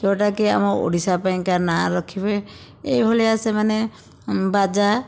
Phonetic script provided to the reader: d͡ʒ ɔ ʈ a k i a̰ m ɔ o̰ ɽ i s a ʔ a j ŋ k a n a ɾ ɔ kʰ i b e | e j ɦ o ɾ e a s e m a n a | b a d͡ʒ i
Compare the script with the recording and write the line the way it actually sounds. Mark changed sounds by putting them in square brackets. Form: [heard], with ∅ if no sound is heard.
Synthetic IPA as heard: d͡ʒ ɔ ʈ a k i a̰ m ɔ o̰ ɽ i s a [p] a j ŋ k a n a ɾ ɔ kʰ i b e | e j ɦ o [l] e a s e m a n [e] | b a d͡ʒ [a]